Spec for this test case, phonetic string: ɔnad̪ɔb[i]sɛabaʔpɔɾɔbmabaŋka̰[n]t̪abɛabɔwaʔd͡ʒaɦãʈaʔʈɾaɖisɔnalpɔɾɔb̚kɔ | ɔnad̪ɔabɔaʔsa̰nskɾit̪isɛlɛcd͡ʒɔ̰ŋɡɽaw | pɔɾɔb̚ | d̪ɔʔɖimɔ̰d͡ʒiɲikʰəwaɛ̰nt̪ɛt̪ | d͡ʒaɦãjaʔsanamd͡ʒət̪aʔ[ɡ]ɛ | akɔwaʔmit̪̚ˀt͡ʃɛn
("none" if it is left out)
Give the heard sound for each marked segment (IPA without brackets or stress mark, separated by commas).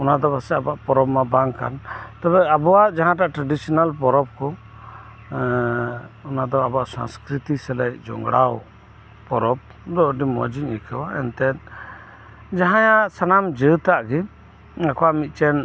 a, n, ɡ